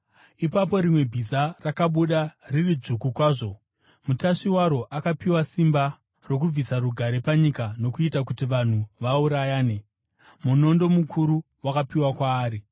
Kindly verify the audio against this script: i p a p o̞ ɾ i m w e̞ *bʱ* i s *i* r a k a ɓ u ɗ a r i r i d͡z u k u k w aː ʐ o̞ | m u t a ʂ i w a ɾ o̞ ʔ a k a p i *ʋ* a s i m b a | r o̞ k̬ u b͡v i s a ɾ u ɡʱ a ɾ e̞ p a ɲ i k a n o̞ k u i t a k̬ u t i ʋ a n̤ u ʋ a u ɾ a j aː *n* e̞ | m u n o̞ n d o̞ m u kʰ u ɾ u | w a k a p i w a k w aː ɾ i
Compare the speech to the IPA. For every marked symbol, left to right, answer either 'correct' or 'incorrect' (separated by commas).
correct, incorrect, incorrect, correct